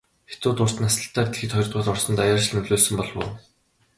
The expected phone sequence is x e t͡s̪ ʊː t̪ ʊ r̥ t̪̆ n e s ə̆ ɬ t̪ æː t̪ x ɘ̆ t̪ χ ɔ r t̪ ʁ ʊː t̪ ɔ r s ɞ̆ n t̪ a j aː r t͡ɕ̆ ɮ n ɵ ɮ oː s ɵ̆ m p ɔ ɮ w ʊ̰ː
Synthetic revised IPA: x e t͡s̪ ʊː t̪ ʊ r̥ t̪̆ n a s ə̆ ɬ t̪ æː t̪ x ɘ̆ t̪ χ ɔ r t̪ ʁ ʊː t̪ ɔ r s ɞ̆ n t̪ a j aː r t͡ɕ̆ ɮ n ɵ ɮ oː s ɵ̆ m p ɔ ɮ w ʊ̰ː